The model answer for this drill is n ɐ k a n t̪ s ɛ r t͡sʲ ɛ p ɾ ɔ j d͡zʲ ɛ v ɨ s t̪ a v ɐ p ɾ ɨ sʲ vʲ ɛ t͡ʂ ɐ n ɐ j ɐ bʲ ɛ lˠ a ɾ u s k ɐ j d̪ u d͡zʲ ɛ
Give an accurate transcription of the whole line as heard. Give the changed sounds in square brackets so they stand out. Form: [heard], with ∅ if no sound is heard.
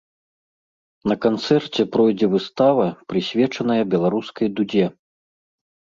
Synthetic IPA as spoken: n ɐ k a n t̪ s ɛ r t͡sʲ ɛ p ɾ ɔ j d͡zʲ ɛ v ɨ s t̪ a v ɐ p ɾ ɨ sʲ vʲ ɛ t͡ʂ ɐ n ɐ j ɐ bʲ ɛ lˠ a ɾ u s k ɐ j d̪ u d͡zʲ ɛ